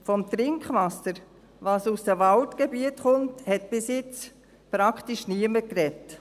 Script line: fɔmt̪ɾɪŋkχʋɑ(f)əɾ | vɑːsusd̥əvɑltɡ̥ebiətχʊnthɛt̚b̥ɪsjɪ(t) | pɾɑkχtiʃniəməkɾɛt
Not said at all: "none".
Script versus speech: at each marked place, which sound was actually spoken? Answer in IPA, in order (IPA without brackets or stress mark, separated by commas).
s, t͡s